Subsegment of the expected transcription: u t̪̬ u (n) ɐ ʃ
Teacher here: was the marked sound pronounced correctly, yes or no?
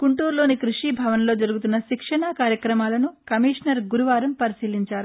no